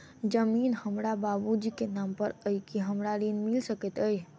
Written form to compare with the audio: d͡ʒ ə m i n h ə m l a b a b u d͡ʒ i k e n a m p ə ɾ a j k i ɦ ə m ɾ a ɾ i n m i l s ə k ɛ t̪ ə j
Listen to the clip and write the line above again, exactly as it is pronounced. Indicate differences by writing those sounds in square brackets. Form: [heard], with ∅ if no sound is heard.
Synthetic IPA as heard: d͡ʒ ə m i n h ə m [ɾ] a b a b u d͡ʒ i k e n a m p ə ɾ [ə] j k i ɦ ə m ɾ a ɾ i n m i l s ə k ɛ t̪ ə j